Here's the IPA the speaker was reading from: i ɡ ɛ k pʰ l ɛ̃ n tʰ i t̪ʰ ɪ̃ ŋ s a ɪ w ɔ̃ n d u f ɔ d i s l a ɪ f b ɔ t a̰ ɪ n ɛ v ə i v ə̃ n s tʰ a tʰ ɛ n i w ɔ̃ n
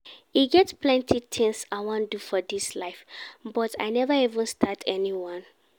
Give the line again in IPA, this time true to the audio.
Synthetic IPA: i ɡ ɛ t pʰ l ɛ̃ n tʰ i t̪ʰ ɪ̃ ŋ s a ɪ w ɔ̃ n d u f ɔ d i s l a ɪ f b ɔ t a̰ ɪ n ɛ v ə i v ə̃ n s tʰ a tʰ ɛ n i w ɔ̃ n